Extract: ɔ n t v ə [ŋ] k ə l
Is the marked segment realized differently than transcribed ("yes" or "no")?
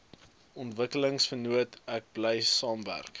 yes